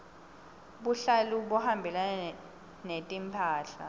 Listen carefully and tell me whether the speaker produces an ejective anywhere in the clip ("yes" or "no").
yes